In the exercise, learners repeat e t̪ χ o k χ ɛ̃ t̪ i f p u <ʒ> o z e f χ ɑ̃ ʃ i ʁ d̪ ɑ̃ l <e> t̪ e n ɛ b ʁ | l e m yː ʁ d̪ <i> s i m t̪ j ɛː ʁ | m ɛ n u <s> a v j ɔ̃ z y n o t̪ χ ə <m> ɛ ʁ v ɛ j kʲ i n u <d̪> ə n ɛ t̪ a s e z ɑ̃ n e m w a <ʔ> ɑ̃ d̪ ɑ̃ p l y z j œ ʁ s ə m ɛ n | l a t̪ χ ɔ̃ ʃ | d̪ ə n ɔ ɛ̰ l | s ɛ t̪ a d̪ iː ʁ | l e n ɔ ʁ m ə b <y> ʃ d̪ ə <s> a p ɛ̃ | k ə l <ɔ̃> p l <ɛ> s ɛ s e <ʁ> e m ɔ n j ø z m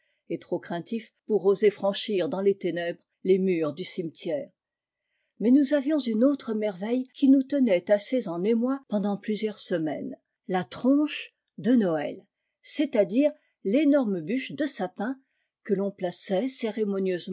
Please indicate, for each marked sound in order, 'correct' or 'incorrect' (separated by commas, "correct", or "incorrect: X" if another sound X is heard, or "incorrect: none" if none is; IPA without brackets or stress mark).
incorrect: ʁ, correct, incorrect: y, incorrect: z, correct, incorrect: t̪, incorrect: p, correct, correct, correct, incorrect: a, correct